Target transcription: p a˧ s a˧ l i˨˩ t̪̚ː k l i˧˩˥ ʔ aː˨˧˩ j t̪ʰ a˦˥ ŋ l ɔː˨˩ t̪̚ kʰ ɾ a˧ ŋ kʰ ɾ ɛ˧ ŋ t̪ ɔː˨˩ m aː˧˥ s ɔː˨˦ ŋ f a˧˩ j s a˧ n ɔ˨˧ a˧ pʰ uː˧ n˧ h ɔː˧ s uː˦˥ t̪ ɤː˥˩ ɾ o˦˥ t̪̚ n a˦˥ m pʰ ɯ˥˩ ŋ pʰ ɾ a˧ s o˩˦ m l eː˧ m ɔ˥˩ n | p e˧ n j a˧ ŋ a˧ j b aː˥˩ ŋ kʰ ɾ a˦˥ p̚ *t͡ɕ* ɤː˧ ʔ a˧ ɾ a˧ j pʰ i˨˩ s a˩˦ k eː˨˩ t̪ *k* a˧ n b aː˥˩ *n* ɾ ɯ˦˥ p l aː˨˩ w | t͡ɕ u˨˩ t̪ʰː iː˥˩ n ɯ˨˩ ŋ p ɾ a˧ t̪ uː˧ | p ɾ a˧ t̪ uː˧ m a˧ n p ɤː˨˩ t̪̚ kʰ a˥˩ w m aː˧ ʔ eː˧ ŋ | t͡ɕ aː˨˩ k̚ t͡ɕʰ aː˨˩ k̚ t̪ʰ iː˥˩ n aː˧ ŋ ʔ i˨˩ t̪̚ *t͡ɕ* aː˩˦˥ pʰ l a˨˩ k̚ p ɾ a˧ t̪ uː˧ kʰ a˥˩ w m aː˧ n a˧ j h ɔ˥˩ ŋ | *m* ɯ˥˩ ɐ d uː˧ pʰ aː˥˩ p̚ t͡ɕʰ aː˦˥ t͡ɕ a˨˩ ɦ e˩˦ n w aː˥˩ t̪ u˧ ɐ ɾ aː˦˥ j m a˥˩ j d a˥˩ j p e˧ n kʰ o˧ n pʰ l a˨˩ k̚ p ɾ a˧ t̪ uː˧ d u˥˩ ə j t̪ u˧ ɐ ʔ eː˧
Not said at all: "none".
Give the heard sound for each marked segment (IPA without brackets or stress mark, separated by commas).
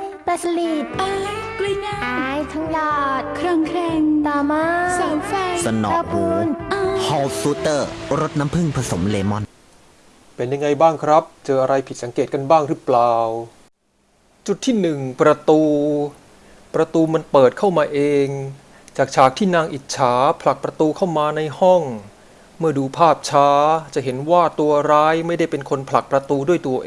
t͡ɕ, k, ŋ, t͡ɕʰ, m